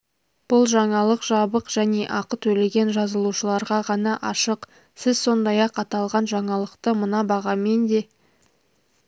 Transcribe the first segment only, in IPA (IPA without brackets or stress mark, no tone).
b̥